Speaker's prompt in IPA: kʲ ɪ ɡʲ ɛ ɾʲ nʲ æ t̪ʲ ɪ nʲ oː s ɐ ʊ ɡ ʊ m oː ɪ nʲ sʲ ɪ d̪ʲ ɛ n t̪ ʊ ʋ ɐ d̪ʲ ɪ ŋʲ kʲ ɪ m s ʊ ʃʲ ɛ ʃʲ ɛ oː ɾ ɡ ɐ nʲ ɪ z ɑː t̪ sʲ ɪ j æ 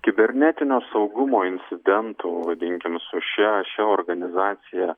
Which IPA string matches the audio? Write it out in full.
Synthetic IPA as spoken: kʲ ɪ bʲ ɛ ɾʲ nʲ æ t̪ʲ ɪ nʲ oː s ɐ ʊ ɡ ʊ m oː ɪ nʲ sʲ ɪ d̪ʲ ɛ n t̪ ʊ ʋ ɐ d̪ʲ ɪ ŋʲ kʲ ɪ m s ʊ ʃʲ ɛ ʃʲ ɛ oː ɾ ɡ ɐ nʲ ɪ z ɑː t̪ sʲ ɪ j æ